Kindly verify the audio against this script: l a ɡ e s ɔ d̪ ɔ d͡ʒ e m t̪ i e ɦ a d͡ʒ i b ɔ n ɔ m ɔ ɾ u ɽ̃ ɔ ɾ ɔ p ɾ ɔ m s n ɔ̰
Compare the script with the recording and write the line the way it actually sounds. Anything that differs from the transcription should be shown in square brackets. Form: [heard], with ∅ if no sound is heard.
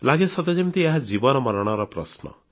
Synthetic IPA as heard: l a ɡ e s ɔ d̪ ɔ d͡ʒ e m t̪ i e ɦ a d͡ʒ i b ɔ n ɔ m ɔ ɾ [ɔ] ɽ̃ ɔ ɾ ɔ p ɾ ɔ [∅] s n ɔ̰